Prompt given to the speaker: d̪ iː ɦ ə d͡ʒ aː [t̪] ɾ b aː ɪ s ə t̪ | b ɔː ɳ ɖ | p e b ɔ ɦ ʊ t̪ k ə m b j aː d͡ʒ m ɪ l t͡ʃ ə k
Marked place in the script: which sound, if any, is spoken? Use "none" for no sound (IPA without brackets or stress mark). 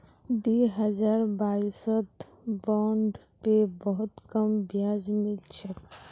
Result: none